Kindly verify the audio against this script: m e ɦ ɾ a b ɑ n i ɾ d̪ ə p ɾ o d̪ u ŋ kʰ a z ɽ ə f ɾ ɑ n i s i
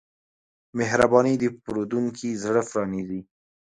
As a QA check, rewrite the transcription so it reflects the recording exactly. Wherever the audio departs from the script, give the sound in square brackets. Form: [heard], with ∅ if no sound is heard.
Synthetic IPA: m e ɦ ɾ a b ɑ n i [∅] d̪ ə p ɾ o d̪ u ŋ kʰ [i] z ɽ ə f ɾ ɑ n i [z] i